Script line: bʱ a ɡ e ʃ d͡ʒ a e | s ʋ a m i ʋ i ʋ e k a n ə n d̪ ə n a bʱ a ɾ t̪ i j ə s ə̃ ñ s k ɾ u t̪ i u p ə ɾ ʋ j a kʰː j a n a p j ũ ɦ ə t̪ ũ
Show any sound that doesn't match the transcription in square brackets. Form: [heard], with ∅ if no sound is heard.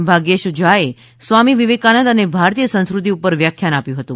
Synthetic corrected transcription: bʱ a ɡ e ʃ d͡ʒ a e | s ʋ a m i ʋ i ʋ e k a n ə n d̪ ə n [e] bʱ a ɾ t̪ i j ə s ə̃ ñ s k ɾ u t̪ i u p ə ɾ ʋ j a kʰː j a n a p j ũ ɦ ə t̪ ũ